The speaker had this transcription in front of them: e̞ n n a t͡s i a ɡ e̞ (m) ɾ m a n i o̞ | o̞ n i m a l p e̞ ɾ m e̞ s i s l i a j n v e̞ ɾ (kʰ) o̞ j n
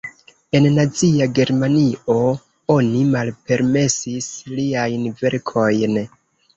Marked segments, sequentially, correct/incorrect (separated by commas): incorrect, correct